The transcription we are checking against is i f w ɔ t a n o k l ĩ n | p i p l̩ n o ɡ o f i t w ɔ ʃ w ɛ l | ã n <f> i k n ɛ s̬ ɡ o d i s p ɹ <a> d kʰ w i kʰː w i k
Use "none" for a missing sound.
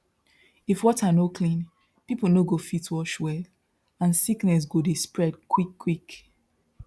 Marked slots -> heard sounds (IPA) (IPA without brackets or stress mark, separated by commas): s, ɛ